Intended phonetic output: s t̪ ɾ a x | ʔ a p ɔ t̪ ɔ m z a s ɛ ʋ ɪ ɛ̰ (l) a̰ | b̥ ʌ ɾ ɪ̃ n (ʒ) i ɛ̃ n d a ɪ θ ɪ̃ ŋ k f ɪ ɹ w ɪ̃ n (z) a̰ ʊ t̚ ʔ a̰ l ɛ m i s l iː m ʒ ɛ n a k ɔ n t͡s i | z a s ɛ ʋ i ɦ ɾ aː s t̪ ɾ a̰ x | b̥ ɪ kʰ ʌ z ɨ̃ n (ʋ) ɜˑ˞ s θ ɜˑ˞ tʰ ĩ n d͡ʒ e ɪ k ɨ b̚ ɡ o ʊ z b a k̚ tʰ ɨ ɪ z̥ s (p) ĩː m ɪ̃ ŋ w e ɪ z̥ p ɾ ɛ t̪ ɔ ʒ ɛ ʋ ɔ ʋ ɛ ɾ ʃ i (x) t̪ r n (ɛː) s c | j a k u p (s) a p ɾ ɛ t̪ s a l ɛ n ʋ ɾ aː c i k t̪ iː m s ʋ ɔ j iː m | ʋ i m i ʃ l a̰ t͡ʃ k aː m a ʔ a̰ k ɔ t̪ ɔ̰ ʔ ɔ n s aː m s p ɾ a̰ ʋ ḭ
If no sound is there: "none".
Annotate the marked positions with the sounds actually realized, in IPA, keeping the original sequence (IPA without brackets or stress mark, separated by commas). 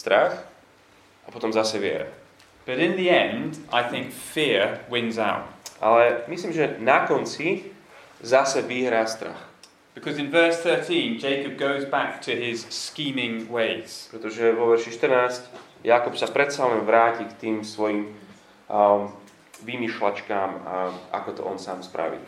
ɾ, ð, z, v, k, ʃ, aː, s